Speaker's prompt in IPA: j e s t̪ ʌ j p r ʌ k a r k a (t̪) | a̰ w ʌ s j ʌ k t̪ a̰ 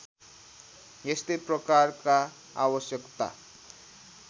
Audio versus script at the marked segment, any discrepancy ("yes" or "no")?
yes